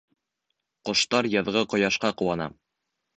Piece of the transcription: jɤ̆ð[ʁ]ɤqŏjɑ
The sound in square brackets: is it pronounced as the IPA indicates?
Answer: yes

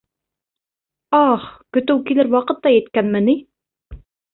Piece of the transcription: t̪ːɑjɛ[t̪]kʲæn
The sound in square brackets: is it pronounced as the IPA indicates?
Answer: yes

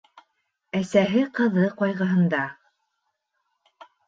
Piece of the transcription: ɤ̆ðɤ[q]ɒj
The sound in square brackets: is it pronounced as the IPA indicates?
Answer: yes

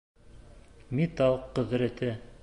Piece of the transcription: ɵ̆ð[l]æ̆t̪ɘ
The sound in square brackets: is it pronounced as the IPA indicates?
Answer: no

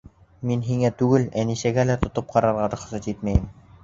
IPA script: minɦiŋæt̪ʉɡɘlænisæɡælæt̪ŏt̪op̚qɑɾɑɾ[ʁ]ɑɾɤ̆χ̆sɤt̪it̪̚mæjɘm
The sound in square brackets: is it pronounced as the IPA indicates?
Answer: yes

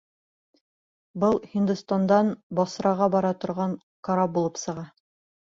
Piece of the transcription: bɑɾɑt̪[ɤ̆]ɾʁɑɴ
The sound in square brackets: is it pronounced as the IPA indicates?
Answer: no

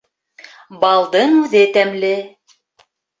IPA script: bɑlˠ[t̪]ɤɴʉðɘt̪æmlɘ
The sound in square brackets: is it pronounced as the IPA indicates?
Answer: no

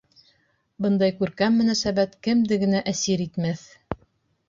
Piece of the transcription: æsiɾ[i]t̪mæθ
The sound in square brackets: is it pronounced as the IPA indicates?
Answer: yes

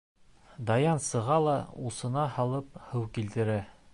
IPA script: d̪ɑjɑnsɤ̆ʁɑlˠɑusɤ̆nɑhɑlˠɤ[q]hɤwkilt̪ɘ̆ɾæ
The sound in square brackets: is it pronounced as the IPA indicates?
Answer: no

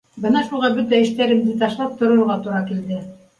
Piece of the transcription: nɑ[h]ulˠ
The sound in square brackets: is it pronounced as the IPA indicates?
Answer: no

